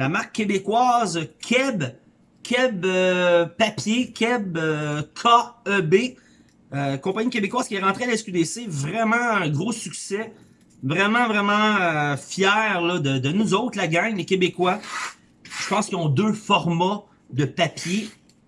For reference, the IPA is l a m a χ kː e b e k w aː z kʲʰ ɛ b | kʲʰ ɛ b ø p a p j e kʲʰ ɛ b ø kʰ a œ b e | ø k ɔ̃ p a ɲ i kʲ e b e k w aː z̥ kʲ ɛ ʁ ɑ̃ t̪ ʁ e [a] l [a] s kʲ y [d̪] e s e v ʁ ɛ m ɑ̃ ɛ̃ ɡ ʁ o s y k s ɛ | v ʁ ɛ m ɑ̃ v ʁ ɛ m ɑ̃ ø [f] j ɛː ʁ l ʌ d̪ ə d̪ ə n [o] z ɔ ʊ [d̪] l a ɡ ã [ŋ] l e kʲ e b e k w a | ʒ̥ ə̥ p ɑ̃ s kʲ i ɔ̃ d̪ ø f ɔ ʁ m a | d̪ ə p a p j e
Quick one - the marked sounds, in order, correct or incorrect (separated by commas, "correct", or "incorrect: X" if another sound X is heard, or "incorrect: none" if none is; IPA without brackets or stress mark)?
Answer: correct, incorrect: ɛ, correct, correct, incorrect: u, incorrect: t̪, correct